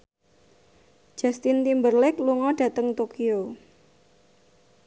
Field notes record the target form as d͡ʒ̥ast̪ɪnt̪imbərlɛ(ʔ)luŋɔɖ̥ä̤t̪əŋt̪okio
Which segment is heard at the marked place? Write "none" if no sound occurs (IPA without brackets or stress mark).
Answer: k